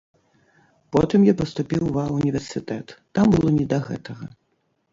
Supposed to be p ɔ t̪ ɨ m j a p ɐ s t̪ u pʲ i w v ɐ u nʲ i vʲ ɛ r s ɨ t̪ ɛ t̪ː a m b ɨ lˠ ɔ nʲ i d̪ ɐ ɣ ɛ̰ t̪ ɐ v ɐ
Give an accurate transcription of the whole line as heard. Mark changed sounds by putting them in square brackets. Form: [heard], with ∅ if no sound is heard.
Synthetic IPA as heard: p ɔ t̪ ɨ m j a p ɐ s t̪ u pʲ i w v [a] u nʲ i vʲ ɛ r s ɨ t̪ ɛ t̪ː a m b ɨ lˠ ɔ nʲ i d̪ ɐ ɣ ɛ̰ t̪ ɐ [ɣ] ɐ